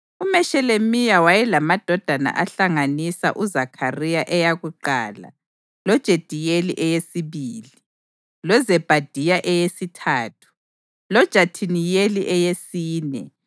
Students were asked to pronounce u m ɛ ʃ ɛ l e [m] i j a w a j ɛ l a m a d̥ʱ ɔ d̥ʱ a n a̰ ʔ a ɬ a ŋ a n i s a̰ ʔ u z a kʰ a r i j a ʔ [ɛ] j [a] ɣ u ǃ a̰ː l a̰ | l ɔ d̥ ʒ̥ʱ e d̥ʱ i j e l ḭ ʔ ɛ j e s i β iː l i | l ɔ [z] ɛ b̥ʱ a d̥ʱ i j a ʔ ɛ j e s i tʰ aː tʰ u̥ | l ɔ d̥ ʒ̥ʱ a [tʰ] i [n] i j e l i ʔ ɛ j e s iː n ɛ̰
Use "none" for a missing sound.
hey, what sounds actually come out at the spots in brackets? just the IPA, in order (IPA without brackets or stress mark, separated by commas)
m, ɛ, a, z, tʰ, n